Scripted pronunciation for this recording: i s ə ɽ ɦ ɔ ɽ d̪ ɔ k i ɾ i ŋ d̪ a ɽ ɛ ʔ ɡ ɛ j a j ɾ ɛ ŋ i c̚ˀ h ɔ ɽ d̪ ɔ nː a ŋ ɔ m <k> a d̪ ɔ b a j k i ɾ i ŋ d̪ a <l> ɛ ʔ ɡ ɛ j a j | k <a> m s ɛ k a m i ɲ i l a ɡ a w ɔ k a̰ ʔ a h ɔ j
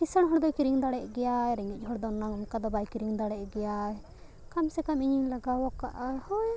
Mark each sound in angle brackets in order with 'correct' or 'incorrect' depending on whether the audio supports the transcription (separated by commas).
correct, incorrect, correct